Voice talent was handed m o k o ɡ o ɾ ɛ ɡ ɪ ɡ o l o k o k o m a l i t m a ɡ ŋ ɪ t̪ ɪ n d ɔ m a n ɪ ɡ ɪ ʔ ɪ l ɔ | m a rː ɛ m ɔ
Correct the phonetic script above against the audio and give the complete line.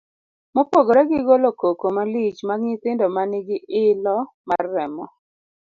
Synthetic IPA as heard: m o p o ɡ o ɾ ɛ ɡ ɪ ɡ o l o k o k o m a l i t͡ʃ m a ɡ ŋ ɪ t̪ ɪ n d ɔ m a n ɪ ɡ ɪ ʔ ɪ l ɔ | m a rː ɛ m ɔ